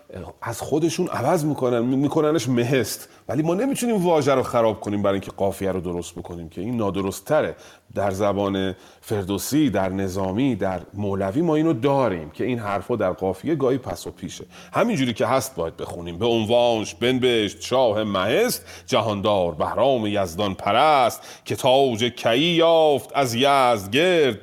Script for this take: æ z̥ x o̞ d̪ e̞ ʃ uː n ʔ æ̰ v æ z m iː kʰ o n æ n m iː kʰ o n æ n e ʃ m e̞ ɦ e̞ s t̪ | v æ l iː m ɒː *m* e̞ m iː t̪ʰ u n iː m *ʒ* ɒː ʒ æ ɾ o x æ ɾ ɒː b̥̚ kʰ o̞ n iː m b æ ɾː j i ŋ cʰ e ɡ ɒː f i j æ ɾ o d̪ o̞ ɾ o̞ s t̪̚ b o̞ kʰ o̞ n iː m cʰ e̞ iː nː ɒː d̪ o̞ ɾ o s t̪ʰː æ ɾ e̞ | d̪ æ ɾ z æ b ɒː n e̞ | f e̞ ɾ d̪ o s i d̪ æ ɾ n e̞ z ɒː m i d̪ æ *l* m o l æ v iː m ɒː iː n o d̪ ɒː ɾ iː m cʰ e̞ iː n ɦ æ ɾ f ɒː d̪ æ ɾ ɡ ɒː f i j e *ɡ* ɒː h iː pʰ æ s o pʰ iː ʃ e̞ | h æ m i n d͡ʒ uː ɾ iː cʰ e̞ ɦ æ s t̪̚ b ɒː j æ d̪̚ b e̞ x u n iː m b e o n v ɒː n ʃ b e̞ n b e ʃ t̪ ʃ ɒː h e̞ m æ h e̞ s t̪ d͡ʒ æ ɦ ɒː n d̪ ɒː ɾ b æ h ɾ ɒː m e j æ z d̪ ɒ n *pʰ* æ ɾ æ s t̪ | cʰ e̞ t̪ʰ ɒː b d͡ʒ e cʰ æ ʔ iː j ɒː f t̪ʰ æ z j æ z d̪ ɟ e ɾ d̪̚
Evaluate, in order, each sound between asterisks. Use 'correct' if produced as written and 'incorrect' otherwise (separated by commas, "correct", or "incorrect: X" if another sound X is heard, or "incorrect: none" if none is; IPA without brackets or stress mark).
incorrect: n, incorrect: v, incorrect: ɾ, correct, correct